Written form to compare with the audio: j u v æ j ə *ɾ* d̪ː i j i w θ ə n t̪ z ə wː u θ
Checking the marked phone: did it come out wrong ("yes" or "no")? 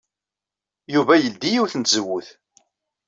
yes